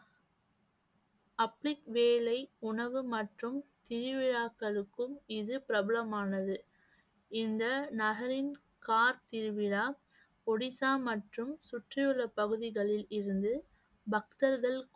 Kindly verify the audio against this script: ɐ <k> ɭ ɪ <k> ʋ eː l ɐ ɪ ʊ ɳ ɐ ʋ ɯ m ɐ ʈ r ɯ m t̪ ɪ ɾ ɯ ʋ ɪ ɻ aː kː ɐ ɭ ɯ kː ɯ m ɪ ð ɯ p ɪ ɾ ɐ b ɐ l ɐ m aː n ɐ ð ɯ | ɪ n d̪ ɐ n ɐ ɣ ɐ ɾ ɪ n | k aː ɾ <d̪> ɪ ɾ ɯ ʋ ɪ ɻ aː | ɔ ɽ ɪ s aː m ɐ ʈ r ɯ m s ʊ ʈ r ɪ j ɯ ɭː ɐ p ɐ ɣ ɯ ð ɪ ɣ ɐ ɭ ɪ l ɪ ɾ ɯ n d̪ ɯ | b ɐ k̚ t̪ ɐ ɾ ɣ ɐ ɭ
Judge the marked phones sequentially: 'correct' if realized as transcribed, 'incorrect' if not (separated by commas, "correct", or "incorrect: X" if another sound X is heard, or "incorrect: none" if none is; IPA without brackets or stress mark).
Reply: incorrect: p, correct, incorrect: t̪